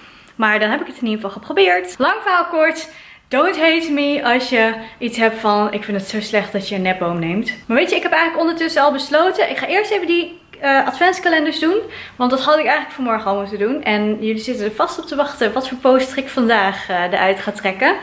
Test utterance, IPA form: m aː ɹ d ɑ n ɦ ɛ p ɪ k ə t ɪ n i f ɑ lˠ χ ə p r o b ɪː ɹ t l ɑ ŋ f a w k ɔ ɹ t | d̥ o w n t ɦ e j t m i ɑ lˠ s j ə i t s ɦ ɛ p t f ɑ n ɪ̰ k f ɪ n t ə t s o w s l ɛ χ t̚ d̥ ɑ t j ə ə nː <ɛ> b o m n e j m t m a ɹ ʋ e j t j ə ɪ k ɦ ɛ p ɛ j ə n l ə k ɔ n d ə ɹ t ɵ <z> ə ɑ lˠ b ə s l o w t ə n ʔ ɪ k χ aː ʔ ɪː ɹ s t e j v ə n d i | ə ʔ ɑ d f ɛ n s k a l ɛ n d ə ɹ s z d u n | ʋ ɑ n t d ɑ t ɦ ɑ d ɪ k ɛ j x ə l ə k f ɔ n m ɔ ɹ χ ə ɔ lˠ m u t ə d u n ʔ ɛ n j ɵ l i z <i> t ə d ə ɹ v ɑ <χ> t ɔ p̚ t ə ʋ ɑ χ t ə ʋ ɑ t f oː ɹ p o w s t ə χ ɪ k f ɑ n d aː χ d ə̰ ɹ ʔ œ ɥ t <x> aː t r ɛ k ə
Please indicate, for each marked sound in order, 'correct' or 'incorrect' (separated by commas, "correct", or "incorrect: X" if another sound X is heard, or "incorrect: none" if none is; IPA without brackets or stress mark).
correct, incorrect: s, incorrect: ɪ, incorrect: s, incorrect: χ